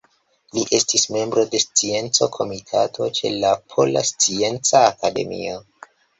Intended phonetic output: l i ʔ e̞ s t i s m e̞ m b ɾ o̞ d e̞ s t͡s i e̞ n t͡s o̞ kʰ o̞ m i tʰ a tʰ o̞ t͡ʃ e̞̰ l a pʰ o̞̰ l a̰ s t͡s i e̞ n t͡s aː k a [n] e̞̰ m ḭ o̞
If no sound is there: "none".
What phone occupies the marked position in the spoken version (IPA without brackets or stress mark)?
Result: d